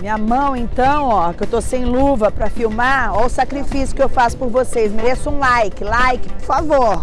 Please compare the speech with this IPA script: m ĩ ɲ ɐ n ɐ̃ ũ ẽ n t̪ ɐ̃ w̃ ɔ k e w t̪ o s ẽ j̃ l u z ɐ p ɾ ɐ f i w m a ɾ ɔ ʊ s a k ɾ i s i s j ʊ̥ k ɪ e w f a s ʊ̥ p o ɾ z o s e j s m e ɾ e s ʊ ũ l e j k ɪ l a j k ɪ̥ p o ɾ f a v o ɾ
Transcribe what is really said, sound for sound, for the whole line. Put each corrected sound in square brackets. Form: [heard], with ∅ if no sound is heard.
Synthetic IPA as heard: m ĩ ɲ ɐ [m] ɐ̃ [w̃] ẽ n t̪ ɐ̃ w̃ ɔ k e w t̪ o s ẽ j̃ l u [v] ɐ p ɾ ɐ f i w m a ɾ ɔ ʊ s a k ɾ i [f] i s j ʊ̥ k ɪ e w f a s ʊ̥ p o ɾ [v] o s e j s m e ɾ e s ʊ ũ l [a] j k ɪ l a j k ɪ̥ p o ɾ f a v o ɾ